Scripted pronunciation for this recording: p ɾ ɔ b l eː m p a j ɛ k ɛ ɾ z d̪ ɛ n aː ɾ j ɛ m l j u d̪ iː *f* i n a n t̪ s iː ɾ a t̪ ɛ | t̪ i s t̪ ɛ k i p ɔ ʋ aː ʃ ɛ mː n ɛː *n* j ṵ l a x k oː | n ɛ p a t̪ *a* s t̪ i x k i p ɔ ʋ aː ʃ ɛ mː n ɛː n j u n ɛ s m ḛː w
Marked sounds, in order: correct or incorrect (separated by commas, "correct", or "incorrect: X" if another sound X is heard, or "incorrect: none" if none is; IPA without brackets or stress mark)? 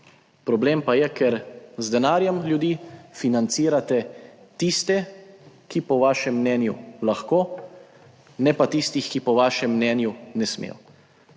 correct, correct, incorrect: i